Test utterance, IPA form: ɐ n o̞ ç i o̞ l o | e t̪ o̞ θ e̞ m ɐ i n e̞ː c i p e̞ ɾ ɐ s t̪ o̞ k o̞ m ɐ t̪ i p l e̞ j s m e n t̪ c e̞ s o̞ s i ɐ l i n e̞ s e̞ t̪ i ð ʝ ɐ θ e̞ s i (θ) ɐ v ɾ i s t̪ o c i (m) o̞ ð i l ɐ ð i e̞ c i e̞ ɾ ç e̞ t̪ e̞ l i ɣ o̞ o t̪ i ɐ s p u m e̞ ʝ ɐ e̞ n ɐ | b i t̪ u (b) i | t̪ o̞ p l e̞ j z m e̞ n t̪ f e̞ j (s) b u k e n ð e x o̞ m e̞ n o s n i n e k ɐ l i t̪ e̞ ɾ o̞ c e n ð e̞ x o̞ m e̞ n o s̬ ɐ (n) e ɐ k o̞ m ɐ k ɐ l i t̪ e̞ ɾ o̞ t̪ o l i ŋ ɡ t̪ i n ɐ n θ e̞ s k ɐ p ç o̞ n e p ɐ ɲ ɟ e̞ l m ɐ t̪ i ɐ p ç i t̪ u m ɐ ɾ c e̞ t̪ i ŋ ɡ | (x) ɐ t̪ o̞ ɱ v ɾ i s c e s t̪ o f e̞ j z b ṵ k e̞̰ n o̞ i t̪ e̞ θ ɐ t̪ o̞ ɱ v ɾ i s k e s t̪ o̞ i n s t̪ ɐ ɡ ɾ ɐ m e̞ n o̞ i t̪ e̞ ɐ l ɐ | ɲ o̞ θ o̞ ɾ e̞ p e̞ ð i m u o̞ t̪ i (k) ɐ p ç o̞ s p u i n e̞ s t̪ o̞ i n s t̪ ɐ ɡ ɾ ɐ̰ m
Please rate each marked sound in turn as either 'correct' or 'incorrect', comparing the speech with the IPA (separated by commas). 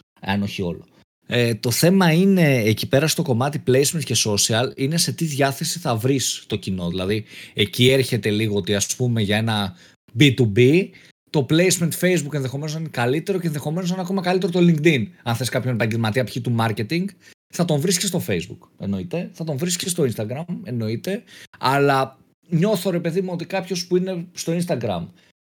correct, incorrect, correct, incorrect, correct, incorrect, correct